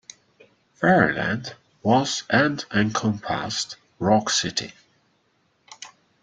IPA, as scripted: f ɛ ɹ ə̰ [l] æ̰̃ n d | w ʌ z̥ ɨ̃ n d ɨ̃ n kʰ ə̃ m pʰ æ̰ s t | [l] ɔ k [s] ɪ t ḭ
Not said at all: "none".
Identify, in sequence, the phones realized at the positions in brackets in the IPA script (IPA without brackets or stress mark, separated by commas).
l, ɹ, s